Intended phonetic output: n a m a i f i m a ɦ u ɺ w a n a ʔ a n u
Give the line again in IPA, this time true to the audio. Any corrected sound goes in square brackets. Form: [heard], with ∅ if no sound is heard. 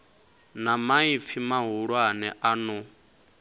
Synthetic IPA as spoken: n a m a i f i m a ɦ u ɺ w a n [ɛ] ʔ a n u

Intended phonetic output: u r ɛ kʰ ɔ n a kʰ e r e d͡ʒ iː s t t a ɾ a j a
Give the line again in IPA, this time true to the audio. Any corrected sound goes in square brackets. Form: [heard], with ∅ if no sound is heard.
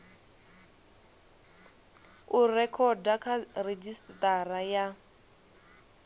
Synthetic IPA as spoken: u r ɛ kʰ ɔ [d] a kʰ [a] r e d͡ʒ [i] s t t a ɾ a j a

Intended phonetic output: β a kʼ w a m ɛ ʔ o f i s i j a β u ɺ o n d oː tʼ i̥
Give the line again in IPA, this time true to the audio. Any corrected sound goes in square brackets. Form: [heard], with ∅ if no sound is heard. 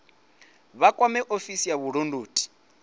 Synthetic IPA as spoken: β a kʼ w a m ɛ ʔ o f i s i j a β u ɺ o n d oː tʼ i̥

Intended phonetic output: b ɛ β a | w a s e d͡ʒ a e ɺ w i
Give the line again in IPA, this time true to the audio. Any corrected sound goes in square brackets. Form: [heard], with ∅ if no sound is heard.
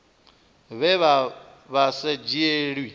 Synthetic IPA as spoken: [β] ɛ β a | [β] a s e d͡ʒ [i] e ɺ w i

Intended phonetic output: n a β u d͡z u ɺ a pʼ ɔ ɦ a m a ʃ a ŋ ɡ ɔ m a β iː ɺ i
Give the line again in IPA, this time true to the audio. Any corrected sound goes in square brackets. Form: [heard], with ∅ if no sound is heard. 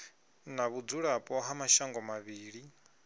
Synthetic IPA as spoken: n a β u d͡z u ɺ a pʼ ɔ ɦ a m a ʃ a ŋ ɡ ɔ m a β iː ɺ i

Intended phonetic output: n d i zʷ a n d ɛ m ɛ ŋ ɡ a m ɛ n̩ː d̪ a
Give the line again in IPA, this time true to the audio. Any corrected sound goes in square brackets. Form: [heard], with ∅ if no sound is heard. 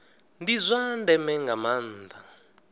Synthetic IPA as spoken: n d i zʷ a n d ɛ m ɛ ŋ ɡ a m [a] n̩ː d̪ a

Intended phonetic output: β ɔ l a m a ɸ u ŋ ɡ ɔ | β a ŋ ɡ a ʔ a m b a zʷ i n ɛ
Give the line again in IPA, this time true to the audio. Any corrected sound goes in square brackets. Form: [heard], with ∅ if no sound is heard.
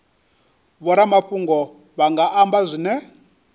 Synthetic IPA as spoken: β ɔ [ɾ] a m a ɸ u ŋ ɡ ɔ | β a ŋ ɡ a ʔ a m b a zʷ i n ɛ

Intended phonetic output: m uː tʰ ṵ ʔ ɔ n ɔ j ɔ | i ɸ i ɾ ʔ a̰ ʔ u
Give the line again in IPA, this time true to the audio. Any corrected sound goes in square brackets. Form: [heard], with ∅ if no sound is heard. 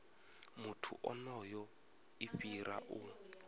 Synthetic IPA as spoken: m [u] tʰ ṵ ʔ ɔ n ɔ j ɔ | i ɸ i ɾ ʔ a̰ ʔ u

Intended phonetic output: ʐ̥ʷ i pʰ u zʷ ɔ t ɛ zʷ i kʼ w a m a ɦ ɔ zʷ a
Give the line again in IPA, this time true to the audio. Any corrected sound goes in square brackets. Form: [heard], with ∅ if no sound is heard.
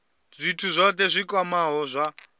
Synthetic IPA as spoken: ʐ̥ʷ i [tʰ] u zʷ ɔ t ɛ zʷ i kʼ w a m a ɦ ɔ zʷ a

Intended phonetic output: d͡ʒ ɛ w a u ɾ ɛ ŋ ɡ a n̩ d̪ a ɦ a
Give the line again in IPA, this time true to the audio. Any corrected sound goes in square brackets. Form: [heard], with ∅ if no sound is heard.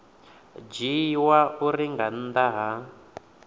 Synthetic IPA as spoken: d͡ʒ [i] w a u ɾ [i] ŋ ɡ a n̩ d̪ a ɦ a

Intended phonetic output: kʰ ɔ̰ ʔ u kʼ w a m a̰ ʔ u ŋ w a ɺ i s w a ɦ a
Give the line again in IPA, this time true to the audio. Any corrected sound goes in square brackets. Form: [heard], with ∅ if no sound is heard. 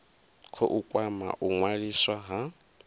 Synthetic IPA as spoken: kʰ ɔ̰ ʔ u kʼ w a m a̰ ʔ u ŋ w a ɺ i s w a ɦ a

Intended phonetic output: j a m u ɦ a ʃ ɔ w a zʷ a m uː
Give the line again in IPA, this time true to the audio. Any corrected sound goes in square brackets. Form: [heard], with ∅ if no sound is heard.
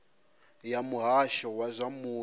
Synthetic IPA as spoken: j a m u ɦ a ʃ ɔ w a zʷ a m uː

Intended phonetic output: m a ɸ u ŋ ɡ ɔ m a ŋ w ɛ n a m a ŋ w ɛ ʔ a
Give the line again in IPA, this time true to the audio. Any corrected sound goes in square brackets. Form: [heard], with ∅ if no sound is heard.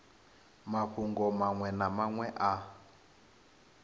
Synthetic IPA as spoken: m a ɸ u ŋ ɡ ɔ m a ŋ w ɛ n a m a ŋ w ɛ ʔ a

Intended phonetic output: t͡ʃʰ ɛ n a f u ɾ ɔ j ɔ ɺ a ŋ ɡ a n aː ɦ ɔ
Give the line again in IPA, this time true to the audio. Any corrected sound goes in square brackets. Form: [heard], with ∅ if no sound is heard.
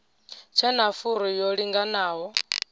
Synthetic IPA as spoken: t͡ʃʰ ɛ n a f u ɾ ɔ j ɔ ɺ [i] ŋ ɡ a n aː ɦ ɔ

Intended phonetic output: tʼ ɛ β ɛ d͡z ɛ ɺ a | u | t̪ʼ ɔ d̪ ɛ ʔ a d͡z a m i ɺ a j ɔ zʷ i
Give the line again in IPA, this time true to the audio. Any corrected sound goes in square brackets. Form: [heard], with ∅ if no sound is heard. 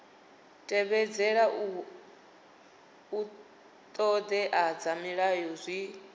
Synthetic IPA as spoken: tʼ ɛ β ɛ d͡z ɛ ɺ a | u | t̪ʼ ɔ d̪ ɛ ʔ a d͡z a m i ɺ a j ɔ zʷ i

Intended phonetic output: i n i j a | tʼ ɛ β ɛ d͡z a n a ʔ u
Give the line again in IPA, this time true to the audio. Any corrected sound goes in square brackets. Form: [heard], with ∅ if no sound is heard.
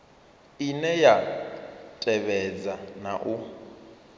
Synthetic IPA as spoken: i n [ɛ] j a | tʼ ɛ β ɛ d͡z a n a ʔ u

